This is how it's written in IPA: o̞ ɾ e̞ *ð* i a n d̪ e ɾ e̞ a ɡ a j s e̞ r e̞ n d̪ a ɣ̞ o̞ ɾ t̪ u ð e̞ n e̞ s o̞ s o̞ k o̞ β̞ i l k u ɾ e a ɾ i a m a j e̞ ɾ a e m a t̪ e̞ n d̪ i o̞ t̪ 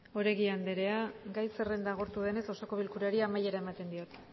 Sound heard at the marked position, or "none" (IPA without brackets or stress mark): ɣ